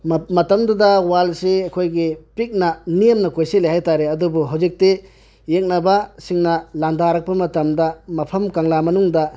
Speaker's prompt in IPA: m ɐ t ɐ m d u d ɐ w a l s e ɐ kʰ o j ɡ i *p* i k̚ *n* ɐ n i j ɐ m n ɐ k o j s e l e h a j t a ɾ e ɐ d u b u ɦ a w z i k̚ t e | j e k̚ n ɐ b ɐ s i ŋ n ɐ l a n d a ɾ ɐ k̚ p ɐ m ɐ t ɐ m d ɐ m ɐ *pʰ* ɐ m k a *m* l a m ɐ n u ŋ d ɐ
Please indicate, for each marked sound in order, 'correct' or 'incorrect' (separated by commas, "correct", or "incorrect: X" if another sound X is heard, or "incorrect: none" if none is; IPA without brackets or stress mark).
correct, correct, correct, incorrect: ŋ